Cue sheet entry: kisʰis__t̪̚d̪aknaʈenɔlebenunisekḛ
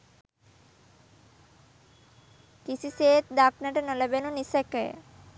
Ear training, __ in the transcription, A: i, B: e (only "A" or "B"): B